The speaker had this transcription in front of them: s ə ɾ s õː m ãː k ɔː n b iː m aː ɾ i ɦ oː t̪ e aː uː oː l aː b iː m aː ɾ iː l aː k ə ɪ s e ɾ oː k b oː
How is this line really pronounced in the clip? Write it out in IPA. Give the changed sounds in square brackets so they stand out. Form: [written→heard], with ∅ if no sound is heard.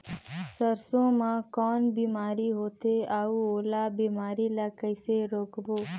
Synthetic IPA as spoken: s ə ɾ s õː m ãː k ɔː n b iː m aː ɾ i ɦ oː t̪ e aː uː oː l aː b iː m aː ɾ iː l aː k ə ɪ s e ɾ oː k b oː